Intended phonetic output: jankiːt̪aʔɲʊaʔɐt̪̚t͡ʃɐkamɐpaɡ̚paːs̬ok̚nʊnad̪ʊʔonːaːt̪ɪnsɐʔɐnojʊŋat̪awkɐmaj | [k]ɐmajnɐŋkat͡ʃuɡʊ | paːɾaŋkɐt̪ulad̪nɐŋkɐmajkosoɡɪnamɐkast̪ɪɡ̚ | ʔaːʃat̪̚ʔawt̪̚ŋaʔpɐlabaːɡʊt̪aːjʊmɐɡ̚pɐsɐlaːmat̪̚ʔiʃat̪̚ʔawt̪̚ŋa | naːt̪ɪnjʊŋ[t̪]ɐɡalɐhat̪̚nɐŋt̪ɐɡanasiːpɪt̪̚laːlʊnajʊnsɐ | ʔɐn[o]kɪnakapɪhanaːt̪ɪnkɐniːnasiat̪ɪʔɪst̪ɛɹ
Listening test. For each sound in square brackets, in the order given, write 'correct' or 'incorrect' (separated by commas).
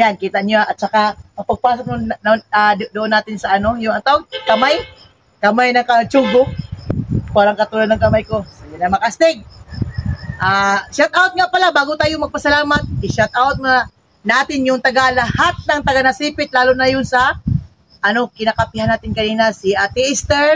correct, correct, correct